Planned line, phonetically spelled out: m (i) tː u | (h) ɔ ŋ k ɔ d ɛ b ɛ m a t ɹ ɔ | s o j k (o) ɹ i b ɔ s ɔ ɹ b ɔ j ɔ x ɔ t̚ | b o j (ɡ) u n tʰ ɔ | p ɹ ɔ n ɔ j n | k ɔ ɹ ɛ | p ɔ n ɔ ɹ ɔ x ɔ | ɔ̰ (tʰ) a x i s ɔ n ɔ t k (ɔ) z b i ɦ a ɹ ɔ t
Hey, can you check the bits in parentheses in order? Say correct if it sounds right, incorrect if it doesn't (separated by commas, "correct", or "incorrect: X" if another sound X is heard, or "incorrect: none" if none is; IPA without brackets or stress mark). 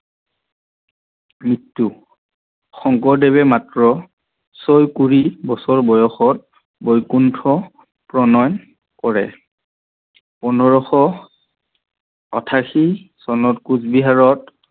correct, incorrect: x, incorrect: u, incorrect: k, correct, incorrect: u